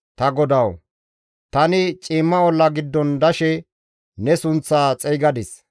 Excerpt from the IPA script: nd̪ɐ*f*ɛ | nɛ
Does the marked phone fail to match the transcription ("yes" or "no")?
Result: yes